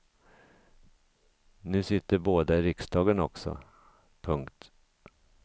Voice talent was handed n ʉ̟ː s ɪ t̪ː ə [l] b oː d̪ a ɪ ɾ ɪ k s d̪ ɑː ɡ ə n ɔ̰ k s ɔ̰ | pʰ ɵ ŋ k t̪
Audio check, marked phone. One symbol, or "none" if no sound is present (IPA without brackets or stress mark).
ɾ